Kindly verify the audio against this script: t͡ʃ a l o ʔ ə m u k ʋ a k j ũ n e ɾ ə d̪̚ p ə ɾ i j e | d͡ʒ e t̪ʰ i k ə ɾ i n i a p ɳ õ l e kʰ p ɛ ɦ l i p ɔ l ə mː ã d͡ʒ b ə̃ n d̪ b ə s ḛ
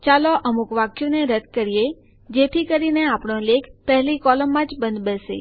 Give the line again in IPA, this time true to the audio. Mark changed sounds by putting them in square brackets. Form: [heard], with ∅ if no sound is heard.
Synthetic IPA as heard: t͡ʃ a l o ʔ ə m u k ʋ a k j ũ n e ɾ ə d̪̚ [k] ə ɾ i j e | d͡ʒ e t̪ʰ i k ə ɾ i n [e] a p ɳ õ l e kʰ p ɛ ɦ l i [k] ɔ l ə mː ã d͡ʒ b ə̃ n d̪ b ə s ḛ